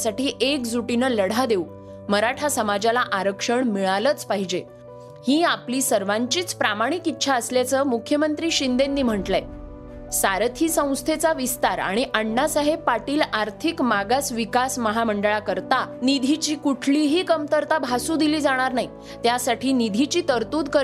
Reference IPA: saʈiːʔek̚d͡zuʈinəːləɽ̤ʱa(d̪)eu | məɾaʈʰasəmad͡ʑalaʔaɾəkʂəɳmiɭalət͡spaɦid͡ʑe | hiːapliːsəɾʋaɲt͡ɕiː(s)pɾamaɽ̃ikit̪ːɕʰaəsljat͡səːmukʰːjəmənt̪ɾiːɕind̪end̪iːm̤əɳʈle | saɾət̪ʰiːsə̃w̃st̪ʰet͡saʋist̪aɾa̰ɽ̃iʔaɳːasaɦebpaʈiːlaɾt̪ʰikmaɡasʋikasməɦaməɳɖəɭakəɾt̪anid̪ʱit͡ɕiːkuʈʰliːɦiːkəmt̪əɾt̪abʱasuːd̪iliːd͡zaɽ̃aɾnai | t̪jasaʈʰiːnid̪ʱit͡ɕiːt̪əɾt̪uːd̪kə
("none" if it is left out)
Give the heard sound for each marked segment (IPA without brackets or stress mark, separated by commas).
d̪, t͡s